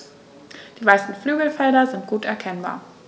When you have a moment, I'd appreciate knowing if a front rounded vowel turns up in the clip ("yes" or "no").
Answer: yes